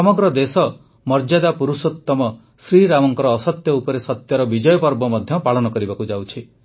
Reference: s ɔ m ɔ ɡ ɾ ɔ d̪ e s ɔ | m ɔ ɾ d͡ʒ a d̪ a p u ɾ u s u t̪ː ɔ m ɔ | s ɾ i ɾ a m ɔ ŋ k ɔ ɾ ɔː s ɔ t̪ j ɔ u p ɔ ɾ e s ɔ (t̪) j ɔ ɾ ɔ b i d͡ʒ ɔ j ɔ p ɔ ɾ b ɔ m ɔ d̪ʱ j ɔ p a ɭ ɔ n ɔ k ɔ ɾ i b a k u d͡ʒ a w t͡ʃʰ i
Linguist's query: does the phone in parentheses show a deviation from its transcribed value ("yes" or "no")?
no